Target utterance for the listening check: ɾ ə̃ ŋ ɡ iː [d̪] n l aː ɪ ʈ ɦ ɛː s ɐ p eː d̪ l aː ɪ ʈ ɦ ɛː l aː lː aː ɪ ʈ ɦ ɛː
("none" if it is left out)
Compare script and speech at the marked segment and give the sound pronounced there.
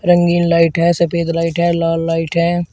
none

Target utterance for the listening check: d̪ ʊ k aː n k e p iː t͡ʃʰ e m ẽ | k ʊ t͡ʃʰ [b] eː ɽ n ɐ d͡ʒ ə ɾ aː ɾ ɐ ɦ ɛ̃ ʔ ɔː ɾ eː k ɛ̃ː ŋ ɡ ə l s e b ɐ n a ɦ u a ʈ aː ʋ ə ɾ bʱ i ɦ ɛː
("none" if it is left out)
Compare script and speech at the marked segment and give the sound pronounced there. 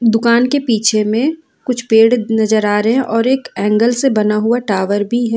p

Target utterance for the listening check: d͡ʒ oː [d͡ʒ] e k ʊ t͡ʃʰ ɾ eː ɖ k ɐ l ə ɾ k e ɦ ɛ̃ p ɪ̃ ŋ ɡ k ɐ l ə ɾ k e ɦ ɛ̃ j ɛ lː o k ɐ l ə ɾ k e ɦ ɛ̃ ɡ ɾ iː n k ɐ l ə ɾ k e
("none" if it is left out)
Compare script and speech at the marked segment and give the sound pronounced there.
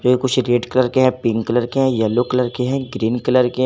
none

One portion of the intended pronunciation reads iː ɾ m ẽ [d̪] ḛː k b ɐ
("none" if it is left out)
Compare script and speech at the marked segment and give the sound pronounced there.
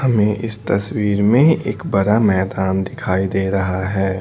none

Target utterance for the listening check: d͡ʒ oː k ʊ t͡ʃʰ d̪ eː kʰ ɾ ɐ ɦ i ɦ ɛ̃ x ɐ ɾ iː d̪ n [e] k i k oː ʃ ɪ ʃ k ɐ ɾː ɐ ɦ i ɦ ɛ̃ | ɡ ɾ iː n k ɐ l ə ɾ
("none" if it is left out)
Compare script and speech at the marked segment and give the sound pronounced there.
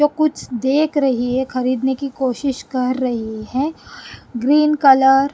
e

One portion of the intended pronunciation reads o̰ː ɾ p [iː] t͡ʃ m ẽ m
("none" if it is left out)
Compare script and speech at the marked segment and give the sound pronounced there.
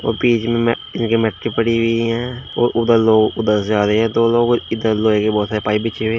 iː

